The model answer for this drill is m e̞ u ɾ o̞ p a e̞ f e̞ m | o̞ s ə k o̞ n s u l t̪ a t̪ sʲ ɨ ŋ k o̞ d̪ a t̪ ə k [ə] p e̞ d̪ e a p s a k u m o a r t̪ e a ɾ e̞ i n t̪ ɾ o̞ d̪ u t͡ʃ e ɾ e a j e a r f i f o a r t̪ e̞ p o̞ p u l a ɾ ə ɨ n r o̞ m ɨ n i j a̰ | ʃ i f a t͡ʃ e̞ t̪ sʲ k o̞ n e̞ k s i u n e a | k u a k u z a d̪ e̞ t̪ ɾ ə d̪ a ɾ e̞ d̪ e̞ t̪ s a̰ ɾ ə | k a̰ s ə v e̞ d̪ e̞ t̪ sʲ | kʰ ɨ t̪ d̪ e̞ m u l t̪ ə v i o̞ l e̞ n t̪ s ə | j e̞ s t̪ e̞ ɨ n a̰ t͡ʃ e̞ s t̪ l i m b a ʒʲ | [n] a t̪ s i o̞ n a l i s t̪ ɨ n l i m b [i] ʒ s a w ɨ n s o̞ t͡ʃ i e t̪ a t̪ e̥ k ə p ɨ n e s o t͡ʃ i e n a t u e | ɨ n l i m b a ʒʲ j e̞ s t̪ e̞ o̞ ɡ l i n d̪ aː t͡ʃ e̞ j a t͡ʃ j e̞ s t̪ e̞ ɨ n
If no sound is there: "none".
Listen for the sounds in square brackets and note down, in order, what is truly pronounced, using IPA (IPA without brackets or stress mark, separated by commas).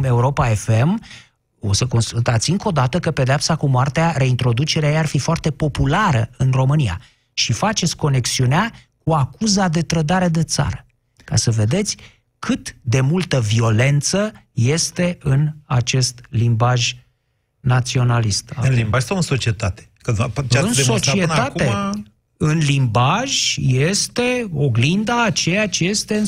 ə, n, a